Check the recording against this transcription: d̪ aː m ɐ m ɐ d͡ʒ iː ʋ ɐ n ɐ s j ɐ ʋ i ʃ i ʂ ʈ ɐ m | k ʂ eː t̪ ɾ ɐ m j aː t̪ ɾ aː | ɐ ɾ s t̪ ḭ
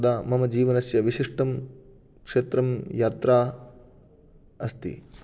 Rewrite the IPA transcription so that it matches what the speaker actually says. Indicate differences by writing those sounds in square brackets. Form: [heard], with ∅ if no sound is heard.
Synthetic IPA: d̪ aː m ɐ m ɐ d͡ʒ iː ʋ ɐ n ɐ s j ɐ ʋ i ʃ i ʂ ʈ ɐ m | k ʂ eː t̪ ɾ ɐ m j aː t̪ ɾ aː | ɐ [∅] s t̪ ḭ